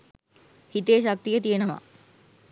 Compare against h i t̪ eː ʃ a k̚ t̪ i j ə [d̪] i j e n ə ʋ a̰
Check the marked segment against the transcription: incorrect: t̪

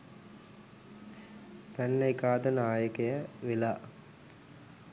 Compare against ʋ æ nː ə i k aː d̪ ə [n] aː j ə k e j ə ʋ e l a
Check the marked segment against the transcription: correct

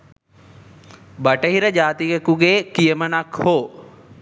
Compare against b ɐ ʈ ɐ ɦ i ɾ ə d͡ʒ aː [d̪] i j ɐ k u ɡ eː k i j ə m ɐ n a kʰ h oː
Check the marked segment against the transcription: incorrect: t̪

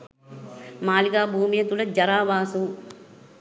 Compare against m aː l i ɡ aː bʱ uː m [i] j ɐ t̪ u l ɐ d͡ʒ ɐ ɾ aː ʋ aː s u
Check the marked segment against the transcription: correct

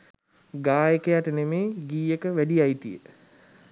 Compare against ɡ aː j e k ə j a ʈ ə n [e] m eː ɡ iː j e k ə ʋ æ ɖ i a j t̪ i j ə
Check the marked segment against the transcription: correct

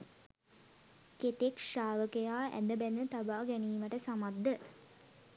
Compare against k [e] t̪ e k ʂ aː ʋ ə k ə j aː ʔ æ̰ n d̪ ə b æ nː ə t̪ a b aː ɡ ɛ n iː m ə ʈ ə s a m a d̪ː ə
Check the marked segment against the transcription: correct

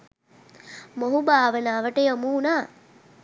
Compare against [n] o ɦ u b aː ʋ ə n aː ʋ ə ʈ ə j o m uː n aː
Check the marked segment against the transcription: incorrect: m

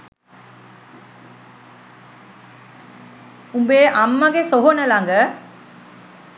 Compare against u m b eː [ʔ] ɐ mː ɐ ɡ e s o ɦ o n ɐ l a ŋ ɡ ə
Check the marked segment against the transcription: correct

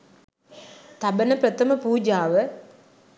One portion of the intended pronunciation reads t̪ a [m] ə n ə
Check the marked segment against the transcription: incorrect: b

